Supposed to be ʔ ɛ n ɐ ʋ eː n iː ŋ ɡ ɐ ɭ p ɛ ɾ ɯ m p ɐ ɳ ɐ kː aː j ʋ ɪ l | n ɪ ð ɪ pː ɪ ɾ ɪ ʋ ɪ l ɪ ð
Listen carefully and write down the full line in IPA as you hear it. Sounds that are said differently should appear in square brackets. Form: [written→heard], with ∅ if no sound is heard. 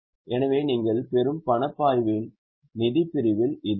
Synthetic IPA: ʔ ɛ n ɐ ʋ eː n iː ŋ ɡ ɐ ɭ p ɛ ɾ ɯ m p ɐ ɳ ɐ [kː→pː] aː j ʋ ɪ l | n ɪ ð ɪ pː ɪ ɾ ɪ ʋ ɪ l ɪ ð